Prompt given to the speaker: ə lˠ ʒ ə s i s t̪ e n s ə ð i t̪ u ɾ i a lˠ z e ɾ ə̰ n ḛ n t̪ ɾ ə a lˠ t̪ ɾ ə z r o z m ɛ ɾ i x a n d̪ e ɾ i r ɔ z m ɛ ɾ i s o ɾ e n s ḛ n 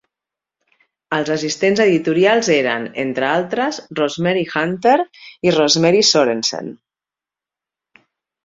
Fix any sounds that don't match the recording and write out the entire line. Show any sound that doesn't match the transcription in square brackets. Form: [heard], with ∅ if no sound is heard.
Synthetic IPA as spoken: ə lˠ [z] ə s i s t̪ e n [z] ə ð i t̪ u ɾ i a lˠ z e ɾ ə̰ n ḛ n t̪ ɾ ə a lˠ t̪ ɾ ə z r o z m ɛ ɾ i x a n [t̪] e ɾ i r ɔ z m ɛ ɾ i s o ɾ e n s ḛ n